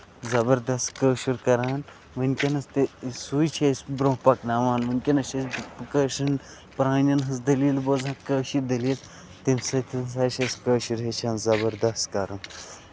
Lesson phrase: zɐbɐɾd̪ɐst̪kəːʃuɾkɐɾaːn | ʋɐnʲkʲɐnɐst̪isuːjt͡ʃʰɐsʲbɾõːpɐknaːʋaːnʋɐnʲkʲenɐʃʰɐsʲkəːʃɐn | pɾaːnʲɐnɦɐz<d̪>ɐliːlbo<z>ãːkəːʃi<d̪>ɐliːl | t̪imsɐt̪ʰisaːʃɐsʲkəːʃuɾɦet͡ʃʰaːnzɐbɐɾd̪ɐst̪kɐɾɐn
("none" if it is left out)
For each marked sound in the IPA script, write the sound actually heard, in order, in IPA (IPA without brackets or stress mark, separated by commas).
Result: d̪, z, d̪